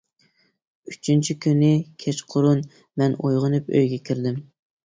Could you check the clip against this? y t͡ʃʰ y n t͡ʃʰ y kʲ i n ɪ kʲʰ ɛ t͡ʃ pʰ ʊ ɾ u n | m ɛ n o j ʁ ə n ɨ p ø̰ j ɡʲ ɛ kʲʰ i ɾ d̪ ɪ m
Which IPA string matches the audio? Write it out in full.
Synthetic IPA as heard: y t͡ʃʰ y n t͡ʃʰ i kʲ y n ɪ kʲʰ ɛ t͡ʃ qʰ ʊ ɾ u n | m ɛ n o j ʁ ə n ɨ p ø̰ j ɡʲ ɛ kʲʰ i ɾ d̪ ɪ m

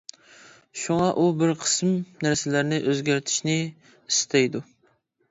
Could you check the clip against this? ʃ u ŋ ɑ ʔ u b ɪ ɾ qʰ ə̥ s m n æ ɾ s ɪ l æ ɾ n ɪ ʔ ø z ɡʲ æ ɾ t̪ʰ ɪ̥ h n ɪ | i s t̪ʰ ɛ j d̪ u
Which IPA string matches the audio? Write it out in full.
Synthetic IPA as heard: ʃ u ŋ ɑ ʔ u b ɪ ɾ qʰ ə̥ s m n æ ɾ s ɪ l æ ɾ n ɪ ʔ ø z ɡʲ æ ɾ t̪ʰ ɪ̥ ʃ n ɪ | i s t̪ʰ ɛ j d̪ u

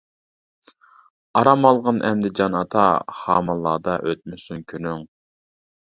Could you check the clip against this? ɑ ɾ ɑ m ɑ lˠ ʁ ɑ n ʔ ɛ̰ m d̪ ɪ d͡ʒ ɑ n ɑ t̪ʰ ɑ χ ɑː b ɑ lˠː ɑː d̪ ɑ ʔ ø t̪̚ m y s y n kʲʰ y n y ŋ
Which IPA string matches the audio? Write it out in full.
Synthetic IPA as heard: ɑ ɾ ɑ m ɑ lˠ ʁ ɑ n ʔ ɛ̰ m d̪ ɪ d͡ʒ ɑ n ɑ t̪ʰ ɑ χ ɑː m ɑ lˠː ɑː d̪ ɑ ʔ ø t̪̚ m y s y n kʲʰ y n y ŋ

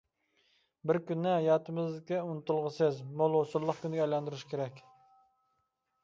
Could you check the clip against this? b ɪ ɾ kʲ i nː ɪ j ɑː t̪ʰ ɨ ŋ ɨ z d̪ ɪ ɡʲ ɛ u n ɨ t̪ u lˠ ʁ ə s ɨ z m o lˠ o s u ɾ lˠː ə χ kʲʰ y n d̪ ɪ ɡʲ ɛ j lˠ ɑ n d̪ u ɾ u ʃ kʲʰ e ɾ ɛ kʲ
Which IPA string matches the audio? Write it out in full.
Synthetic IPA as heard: b ɪ ɾ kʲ y nː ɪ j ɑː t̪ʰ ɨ m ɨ z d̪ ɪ kʲ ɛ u n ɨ t̪ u lˠ ʁ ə s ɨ z m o lˠ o s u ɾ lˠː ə χ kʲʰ y n d̪ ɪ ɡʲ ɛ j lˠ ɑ n d̪ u ɾ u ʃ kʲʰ e ɾ ɛ kʲ

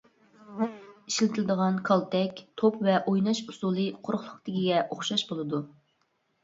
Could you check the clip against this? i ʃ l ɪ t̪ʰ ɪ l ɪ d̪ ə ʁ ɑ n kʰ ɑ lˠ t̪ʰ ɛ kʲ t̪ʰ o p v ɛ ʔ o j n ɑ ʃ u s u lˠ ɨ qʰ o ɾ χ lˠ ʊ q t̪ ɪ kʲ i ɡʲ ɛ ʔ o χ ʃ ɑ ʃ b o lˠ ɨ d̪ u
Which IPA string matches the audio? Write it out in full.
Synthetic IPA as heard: i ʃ l ɪ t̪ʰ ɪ l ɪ d̪ ə ʁ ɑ n kʰ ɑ lˠ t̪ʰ ɛ kʲ t̪ʰ o p v ɛ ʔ o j n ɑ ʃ u s u lˠ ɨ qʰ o ɾ χ lˠ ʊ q t̪ ɪ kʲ i ɡʲ ɛ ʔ o χ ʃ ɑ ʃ b o lˠ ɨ d̪ u

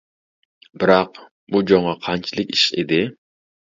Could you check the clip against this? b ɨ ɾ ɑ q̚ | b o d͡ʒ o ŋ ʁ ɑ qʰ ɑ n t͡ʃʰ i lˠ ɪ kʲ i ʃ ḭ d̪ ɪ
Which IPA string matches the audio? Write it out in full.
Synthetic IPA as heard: b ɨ ɾ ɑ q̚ | b u d͡ʒ o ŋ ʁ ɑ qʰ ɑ n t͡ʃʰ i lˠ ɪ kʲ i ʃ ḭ d̪ ɪ

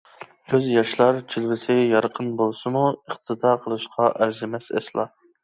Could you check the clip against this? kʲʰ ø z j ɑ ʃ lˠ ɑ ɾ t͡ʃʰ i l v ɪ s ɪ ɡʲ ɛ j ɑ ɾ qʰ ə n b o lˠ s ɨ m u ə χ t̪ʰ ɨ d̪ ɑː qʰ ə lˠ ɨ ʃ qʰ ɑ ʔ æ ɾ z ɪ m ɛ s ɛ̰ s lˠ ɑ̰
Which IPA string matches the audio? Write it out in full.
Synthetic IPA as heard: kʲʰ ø z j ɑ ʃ lˠ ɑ ɾ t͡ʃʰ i l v ɪ s ɪ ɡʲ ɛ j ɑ ɾ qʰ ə n b o lˠ s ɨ m u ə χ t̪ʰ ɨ d̪ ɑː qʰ ə lˠ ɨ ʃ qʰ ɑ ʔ æ ɾ z ɪ m ɛ s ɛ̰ s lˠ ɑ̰

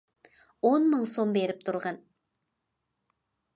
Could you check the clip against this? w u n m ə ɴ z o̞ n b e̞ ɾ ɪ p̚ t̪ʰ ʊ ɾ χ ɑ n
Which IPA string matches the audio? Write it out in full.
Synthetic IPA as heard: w o n m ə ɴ s o̞ m b e̞ ɾ ɪ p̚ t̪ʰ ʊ ɾ ʁ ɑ n

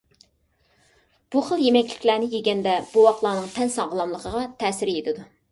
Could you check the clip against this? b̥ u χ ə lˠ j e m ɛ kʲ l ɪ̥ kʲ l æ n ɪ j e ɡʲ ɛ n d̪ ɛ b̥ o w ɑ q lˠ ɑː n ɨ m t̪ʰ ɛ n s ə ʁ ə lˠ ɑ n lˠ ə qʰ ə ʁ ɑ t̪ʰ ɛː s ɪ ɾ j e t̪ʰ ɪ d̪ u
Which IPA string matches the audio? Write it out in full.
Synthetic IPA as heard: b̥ u χ ə lˠ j e m ɛ kʲ l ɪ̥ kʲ l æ n ɪ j e ɡʲ ɛ n d̪ ɛ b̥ u w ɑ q lˠ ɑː n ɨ ŋ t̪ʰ ɛ n s ɑ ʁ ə lˠ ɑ m lˠ ə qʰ ə ʁ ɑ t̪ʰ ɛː s ɪ ɾ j e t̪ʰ ɪ d̪ u

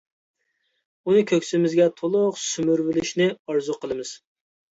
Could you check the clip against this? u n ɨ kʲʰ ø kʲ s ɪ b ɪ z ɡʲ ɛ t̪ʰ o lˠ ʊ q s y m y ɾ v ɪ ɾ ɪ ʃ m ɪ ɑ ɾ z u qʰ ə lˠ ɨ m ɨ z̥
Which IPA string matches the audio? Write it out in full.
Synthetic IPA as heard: u n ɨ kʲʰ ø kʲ s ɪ m ɪ z ɡʲ ɛ t̪ʰ o lˠ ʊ q s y m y ɾ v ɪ l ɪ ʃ n ɪ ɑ ɾ z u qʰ ə lˠ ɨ m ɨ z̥

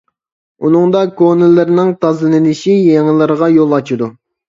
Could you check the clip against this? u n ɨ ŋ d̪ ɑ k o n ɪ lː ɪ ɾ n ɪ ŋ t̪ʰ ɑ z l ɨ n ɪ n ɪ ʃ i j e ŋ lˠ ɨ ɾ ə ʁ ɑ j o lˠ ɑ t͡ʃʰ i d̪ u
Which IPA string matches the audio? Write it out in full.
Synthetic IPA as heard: u n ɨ ŋ d̪ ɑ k o n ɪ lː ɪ ɾ n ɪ ŋ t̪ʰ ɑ z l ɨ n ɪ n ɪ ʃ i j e ŋ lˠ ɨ ɾ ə ʁ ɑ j o lˠ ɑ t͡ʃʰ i d̪ u

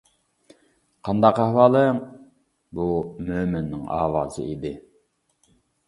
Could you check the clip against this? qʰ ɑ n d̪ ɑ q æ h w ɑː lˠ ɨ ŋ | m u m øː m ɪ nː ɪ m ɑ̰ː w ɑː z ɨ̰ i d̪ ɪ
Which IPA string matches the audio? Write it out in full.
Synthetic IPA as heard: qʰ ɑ n d̪ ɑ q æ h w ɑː lˠ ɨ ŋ | b u m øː m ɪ nː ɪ ŋ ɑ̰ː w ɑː z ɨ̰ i d̪ ɪ

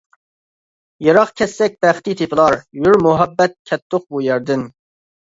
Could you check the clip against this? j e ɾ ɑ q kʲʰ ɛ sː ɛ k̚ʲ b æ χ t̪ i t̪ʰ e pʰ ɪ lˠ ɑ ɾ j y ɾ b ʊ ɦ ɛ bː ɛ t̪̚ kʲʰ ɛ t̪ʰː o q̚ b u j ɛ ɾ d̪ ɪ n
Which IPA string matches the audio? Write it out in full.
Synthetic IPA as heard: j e ɾ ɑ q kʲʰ ɛ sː ɛ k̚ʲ b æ χ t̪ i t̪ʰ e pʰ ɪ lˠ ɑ ɾ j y ɾ m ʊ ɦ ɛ bː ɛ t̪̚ kʲʰ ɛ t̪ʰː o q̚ b u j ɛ ɾ d̪ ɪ n

